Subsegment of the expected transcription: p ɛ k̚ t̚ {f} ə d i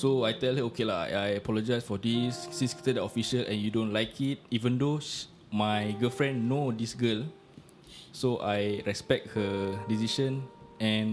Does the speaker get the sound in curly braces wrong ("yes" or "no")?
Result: yes